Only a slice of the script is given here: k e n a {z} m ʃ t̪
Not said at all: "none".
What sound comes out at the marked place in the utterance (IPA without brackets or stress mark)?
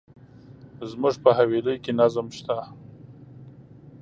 z